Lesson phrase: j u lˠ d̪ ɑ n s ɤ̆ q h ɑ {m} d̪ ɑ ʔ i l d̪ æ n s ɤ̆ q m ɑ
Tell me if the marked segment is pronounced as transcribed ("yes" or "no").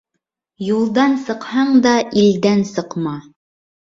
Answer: no